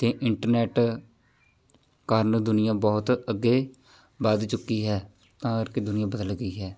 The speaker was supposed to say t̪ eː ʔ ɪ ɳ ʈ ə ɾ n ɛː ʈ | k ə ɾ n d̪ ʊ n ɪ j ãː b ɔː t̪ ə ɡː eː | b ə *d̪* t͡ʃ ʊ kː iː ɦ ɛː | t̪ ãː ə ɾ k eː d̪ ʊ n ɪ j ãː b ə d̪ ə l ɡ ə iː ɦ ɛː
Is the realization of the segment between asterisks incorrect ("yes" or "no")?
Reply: no